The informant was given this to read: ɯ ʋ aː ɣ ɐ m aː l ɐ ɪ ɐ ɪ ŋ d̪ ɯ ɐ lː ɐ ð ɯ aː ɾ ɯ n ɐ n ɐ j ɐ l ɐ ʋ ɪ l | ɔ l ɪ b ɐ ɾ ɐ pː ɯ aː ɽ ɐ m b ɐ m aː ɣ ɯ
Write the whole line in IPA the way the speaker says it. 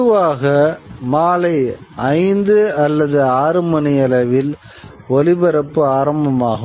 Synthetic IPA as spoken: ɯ ʋ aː ɣ ɐ m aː l ɐ ɪ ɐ ɪ n d̪ ɯ ɐ lː ɐ ð ɯ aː ɾ ɯ m ɐ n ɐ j ɐ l ɐ ʋ ɪ l | ɔ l ɪ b ɐ ɾ ɐ pː ɯ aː ɾ ɐ m b ɐ m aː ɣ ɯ